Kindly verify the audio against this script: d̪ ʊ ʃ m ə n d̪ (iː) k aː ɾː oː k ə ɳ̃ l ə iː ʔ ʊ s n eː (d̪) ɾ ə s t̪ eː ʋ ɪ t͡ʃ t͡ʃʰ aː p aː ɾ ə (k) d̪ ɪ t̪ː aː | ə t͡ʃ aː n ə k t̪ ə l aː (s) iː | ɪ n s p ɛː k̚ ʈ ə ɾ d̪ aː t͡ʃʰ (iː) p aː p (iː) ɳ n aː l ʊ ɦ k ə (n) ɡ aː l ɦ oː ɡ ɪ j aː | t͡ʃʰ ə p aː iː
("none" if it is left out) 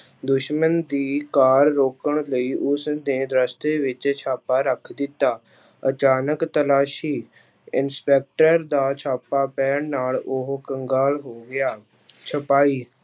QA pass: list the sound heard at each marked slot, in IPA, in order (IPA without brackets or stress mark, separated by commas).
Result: iː, d̪, kʰ, ʃ, aː, ɛː, ŋ